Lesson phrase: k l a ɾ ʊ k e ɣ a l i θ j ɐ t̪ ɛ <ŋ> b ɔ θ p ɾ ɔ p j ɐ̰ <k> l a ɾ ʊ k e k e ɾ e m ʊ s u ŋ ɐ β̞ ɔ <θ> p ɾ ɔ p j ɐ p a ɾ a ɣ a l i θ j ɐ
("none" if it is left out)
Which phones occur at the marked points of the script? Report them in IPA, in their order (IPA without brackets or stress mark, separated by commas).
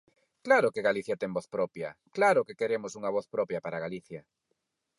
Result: ŋ, k, θ